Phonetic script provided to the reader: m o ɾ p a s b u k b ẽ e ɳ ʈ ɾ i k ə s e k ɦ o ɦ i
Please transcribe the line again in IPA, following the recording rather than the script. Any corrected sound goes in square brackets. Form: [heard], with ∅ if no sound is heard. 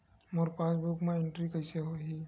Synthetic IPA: m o ɾ p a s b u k [m] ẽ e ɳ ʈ ɾ i k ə s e [∅] ɦ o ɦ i